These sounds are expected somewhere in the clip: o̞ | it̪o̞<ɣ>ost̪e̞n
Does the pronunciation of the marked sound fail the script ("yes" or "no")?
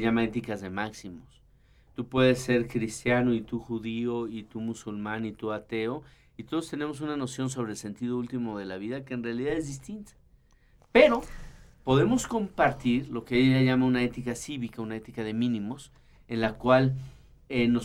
yes